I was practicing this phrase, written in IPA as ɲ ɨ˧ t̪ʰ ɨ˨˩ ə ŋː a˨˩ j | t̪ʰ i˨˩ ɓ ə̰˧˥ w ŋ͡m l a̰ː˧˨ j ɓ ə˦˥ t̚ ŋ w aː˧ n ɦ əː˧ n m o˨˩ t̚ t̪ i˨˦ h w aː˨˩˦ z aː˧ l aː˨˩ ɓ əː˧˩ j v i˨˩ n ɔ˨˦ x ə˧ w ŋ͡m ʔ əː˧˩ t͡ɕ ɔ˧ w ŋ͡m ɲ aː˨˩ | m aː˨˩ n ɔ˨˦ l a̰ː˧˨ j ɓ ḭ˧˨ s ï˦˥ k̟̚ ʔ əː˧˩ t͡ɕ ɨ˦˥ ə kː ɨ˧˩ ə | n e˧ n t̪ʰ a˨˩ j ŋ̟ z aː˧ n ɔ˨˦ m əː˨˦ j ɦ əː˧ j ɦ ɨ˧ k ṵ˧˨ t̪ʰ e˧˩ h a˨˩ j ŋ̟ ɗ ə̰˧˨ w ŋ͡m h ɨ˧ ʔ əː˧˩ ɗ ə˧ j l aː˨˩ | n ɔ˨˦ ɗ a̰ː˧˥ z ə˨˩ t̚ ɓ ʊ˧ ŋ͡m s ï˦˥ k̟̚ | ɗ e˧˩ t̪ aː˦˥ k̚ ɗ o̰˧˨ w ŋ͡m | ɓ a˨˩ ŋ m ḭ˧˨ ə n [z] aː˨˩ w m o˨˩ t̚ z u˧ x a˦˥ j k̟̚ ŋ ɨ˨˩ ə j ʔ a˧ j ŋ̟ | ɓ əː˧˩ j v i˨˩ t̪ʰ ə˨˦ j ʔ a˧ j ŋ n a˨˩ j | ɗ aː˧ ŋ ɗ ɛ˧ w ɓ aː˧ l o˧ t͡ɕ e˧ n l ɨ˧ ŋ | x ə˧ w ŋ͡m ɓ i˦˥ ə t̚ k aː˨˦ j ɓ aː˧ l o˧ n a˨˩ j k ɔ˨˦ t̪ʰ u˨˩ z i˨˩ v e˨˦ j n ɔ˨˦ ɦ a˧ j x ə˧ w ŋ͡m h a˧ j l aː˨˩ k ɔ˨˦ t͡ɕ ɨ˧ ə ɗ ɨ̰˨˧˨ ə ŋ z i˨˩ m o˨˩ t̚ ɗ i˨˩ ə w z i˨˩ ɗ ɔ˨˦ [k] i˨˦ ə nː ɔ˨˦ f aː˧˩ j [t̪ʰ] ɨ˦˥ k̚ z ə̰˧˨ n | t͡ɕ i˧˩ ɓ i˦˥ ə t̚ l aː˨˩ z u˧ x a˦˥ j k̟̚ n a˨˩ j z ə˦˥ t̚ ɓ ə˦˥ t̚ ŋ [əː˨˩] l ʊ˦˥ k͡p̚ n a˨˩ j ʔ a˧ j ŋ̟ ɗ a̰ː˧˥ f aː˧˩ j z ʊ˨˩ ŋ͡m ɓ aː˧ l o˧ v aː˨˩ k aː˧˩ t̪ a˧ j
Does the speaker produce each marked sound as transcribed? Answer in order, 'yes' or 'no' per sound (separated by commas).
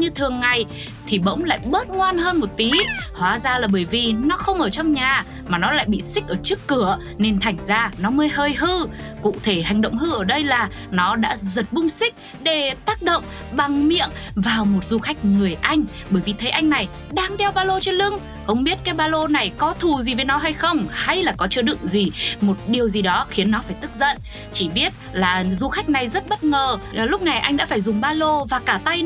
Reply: no, no, no, yes